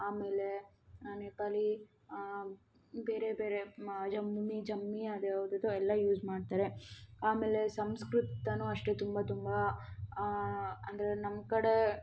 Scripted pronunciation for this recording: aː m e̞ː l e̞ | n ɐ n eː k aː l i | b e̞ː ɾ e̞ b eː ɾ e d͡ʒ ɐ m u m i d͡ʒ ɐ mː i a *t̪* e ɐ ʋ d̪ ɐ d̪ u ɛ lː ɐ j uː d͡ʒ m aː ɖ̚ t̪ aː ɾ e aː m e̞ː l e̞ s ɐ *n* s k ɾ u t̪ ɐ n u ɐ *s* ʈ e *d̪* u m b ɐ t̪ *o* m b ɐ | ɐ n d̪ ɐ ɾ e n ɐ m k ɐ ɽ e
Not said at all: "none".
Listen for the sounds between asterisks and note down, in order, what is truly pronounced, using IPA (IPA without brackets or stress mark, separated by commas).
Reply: d̪, m, ʂ, t̪, u